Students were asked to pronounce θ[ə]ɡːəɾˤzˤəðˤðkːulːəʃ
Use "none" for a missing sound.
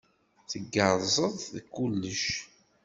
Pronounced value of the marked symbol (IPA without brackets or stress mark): ə